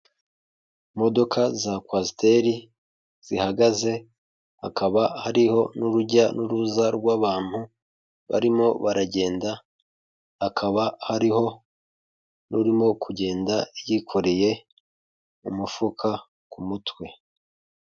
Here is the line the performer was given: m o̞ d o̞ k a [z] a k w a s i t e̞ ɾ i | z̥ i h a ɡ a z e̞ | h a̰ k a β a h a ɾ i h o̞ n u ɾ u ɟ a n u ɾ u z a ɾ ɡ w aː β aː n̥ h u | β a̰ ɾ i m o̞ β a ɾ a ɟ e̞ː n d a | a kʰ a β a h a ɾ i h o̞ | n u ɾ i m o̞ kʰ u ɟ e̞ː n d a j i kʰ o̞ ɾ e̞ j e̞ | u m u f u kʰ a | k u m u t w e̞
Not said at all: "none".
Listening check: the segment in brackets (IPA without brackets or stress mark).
z